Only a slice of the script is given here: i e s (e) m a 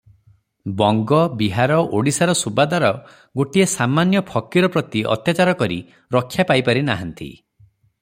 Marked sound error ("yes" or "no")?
yes